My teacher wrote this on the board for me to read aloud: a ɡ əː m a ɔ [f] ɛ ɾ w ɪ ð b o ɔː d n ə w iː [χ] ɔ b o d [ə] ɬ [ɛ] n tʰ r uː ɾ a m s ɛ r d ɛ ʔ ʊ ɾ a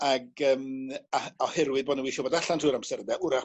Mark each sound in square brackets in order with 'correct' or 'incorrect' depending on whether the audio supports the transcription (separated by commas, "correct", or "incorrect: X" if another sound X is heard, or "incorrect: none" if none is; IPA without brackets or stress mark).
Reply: incorrect: h, incorrect: ʃ, incorrect: a, incorrect: a